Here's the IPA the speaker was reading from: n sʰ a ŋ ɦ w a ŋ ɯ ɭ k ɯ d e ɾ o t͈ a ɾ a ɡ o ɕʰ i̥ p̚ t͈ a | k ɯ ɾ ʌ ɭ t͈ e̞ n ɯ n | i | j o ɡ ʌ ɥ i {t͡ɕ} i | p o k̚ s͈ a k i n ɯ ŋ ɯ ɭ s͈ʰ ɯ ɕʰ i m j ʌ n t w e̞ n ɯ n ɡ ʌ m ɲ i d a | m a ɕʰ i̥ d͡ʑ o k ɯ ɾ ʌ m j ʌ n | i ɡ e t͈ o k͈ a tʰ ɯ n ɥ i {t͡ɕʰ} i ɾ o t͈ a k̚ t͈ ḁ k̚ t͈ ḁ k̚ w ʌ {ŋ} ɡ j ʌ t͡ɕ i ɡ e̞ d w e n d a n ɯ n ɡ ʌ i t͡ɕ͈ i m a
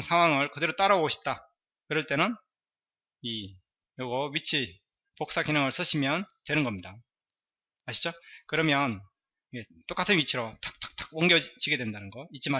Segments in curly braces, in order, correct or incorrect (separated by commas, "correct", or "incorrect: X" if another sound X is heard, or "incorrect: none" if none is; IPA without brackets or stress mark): incorrect: t͡ɕʰ, correct, correct